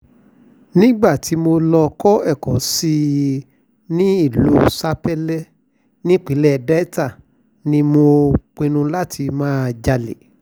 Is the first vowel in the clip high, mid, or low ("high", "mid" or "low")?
high